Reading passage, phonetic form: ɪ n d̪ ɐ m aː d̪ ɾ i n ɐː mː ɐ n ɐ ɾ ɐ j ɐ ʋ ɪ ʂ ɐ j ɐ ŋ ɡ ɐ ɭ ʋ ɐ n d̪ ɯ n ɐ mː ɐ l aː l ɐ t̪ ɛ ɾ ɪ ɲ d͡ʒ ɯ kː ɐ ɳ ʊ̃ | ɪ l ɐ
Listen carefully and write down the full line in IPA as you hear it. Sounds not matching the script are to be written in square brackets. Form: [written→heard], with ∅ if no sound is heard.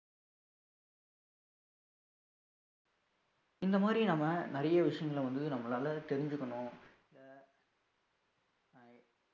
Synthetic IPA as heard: ɪ n d̪ ɐ m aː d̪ ɾ i n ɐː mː ɐ n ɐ ɾ ɐ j ɐ ʋ ɪ ʂ ɐ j ɐ ŋ ɡ ɐ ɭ ʋ ɐ n d̪ ɯ n ɐ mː ɐ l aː l ɐ t̪ ɛ ɾ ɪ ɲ d͡ʒ ɯ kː ɐ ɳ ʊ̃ | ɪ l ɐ